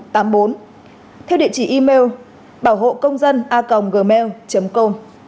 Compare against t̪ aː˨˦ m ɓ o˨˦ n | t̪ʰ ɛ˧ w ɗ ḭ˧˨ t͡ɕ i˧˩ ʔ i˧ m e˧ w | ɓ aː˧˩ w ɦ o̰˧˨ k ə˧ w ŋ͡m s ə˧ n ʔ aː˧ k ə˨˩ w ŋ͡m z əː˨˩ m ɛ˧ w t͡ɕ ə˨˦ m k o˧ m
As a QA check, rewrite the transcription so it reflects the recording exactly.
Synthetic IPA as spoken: t̪ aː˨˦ m ɓ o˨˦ n | t̪ʰ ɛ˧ w ɗ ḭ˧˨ t͡ɕ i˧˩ ʔ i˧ m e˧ w | ɓ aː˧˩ w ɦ o̰˧˨ k ə˧ w ŋ͡m z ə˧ n ʔ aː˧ k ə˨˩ w ŋ͡m ɣ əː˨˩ m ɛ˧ w t͡ɕ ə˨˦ m k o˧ m